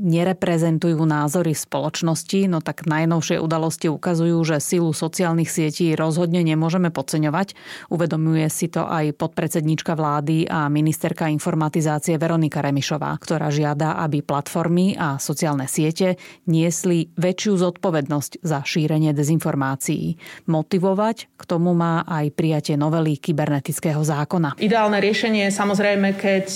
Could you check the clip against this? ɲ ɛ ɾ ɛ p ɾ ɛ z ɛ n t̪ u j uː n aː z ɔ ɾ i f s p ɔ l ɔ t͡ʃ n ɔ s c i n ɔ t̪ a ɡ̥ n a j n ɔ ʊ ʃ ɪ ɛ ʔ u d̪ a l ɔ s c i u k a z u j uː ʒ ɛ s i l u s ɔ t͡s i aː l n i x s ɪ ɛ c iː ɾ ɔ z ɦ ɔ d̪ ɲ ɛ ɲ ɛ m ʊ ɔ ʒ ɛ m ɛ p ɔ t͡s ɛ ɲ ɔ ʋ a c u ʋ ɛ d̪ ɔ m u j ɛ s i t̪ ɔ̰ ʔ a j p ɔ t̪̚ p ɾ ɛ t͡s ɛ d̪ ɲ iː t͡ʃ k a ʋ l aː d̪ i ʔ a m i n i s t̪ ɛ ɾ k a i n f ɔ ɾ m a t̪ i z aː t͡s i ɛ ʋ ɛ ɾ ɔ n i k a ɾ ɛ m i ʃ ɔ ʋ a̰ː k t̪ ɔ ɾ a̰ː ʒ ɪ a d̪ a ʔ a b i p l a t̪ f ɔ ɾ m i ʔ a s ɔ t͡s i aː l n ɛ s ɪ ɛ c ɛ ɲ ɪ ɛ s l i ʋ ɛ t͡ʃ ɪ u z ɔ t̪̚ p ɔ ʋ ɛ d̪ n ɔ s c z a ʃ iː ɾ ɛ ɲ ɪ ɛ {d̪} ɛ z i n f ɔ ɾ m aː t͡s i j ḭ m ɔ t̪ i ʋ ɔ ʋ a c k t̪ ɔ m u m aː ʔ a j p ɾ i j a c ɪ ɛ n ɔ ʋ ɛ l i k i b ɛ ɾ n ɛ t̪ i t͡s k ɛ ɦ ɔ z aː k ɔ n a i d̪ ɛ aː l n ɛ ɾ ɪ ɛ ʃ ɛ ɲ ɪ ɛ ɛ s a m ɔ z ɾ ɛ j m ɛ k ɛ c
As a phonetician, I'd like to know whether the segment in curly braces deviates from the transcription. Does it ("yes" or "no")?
no